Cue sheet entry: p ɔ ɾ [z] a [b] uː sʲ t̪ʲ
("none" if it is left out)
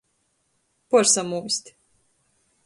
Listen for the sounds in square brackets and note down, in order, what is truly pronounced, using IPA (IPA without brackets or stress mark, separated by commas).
s, m